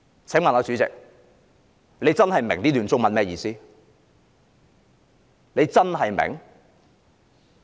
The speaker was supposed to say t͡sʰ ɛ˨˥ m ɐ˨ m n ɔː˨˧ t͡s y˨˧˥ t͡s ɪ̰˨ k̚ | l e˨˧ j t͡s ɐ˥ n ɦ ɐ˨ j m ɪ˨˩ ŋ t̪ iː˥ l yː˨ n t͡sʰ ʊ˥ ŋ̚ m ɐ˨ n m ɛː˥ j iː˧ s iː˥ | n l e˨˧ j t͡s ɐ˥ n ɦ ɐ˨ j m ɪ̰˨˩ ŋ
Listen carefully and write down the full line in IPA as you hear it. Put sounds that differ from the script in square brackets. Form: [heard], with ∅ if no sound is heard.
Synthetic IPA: t͡sʰ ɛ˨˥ m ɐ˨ [∅] n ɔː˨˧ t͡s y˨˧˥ t͡s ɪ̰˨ k̚ | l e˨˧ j t͡s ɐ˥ n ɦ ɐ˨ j m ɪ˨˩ ŋ t̪ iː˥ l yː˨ n [t͡s] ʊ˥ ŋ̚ m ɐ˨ n m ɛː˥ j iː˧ s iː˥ | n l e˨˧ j t͡s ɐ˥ n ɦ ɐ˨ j m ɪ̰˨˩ ŋ